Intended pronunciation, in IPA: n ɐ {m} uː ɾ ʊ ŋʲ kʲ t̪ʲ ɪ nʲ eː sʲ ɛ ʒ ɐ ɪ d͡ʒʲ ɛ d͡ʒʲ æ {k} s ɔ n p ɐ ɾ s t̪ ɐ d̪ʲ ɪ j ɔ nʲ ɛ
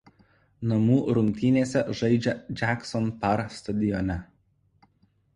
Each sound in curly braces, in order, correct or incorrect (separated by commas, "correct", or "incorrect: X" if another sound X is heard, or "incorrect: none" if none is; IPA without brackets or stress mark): correct, correct